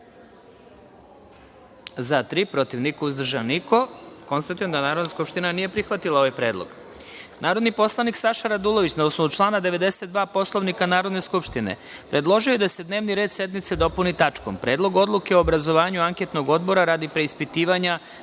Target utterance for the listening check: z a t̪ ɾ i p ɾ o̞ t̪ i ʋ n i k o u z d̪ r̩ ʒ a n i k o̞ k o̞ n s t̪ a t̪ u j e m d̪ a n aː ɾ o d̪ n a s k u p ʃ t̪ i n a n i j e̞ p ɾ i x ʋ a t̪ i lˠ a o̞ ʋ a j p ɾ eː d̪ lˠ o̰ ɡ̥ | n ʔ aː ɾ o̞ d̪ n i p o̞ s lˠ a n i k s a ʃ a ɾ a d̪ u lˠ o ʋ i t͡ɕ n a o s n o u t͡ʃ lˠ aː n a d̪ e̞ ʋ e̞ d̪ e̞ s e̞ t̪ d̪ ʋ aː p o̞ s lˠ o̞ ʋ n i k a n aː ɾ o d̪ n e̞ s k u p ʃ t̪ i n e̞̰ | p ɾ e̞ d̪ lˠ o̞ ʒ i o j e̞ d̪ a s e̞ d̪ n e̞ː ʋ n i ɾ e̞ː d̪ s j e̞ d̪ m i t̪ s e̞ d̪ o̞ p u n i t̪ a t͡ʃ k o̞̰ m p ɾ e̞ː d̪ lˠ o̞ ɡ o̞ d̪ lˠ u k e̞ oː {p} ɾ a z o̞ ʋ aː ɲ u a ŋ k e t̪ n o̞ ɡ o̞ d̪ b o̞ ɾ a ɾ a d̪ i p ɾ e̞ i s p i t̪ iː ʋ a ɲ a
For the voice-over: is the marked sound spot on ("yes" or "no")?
no